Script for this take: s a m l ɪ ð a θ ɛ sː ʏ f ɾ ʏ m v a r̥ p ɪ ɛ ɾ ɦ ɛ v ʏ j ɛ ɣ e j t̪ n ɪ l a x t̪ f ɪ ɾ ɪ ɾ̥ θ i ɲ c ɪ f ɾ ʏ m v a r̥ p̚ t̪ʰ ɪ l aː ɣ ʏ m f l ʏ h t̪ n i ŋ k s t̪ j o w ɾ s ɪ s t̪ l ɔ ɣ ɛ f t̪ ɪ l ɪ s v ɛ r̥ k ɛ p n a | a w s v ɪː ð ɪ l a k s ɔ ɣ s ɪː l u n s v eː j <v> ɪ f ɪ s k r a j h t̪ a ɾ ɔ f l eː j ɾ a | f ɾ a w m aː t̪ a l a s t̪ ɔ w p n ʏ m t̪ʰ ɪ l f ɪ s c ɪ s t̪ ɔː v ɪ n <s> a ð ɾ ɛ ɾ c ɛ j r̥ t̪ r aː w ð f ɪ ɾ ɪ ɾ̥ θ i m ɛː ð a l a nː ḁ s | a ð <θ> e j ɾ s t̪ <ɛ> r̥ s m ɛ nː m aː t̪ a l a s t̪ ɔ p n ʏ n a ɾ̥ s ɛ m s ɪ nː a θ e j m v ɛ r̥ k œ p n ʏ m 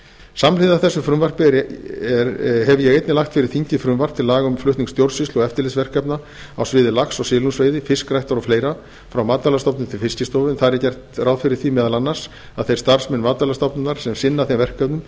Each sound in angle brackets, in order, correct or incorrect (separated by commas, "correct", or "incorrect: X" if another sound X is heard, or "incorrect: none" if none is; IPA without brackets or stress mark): incorrect: ð, incorrect: θ, correct, incorrect: a